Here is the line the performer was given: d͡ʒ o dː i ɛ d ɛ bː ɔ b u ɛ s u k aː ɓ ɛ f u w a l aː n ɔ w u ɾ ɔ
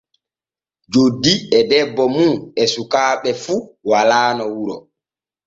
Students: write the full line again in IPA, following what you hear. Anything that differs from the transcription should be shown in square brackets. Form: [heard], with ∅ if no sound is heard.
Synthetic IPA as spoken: d͡ʒ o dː i ɛ d ɛ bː ɔ [m] u ɛ s u k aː ɓ ɛ f u w a l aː n ɔ w u ɾ ɔ